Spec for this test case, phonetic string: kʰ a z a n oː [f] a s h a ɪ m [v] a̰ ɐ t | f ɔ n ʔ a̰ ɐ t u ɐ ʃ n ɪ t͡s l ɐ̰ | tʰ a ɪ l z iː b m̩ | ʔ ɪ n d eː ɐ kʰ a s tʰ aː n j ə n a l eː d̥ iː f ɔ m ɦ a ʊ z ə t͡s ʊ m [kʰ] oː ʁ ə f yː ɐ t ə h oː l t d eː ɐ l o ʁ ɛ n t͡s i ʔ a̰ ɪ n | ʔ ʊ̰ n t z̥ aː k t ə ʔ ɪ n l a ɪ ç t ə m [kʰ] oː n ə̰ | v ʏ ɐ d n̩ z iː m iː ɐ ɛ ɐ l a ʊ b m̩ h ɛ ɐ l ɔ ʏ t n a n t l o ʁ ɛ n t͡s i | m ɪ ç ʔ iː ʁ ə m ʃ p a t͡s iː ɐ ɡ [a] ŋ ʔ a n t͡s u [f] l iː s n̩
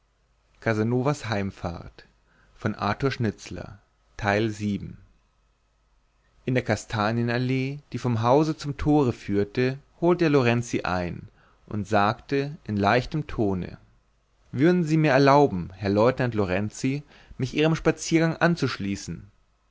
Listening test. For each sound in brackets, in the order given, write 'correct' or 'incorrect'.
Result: incorrect, incorrect, incorrect, incorrect, correct, incorrect

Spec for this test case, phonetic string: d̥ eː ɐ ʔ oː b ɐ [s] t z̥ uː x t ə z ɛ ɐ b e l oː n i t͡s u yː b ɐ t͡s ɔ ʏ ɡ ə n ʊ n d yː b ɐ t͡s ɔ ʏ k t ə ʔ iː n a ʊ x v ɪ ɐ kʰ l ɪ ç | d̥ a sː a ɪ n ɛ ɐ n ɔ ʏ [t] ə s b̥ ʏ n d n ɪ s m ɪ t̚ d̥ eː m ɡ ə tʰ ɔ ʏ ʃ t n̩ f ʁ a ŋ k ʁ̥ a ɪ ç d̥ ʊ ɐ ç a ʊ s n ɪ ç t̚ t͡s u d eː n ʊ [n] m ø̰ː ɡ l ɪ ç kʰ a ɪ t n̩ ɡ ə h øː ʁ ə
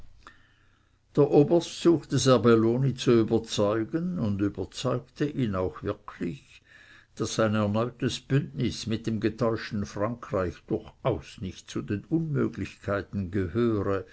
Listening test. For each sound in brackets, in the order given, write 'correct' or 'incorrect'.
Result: correct, correct, correct

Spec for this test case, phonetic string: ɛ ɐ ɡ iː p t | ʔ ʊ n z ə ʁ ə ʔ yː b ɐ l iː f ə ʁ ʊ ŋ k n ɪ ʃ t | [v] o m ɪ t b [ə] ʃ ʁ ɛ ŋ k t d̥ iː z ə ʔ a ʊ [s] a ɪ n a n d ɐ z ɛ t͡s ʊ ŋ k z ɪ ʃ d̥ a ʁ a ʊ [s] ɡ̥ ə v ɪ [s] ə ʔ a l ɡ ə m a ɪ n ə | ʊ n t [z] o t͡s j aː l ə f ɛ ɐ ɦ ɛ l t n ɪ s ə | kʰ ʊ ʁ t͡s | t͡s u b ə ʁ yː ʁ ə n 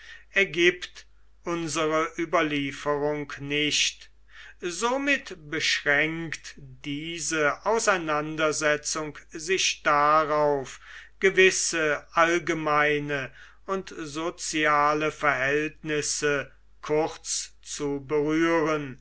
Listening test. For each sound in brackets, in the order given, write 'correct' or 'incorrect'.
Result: incorrect, correct, correct, incorrect, correct, correct

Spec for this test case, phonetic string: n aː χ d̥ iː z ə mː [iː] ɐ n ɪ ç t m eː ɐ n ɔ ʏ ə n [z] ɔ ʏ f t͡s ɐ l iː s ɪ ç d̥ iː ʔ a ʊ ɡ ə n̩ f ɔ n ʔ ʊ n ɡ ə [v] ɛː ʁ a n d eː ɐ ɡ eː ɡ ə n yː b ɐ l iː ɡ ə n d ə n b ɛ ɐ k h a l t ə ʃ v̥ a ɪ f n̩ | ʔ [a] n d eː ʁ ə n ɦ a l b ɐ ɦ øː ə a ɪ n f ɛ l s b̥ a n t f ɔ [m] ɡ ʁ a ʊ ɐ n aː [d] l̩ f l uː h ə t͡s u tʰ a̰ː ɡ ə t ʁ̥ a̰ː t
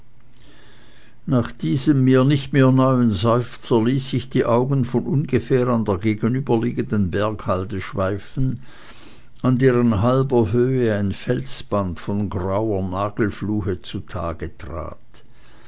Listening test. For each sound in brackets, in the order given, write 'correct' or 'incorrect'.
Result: correct, correct, incorrect, correct, incorrect, incorrect

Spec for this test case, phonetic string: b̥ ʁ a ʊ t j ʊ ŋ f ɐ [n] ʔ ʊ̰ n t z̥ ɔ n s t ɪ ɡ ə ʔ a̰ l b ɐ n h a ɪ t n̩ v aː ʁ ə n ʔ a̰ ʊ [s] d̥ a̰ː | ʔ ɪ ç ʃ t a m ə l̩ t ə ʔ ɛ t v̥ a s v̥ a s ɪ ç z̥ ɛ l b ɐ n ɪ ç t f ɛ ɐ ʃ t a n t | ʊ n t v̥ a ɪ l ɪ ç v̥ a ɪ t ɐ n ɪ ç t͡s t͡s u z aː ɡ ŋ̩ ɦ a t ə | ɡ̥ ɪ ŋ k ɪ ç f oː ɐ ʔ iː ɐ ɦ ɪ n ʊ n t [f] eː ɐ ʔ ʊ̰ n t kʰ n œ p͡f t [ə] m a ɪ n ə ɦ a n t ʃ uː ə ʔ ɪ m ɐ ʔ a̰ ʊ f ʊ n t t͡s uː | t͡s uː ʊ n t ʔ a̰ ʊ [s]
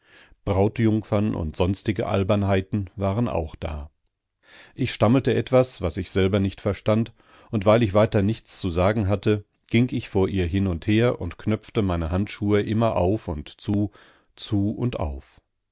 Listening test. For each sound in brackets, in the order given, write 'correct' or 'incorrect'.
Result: correct, incorrect, incorrect, correct, incorrect

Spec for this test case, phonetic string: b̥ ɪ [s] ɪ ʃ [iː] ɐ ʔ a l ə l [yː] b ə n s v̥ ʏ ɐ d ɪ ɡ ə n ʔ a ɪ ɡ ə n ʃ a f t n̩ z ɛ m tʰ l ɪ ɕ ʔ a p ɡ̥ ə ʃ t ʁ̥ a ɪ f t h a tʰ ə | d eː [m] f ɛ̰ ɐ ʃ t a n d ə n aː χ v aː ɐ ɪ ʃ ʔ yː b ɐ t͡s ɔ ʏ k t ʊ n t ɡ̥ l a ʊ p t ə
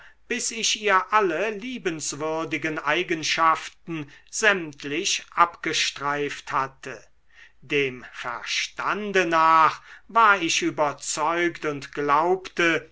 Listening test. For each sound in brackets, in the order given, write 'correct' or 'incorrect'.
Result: correct, correct, incorrect, correct

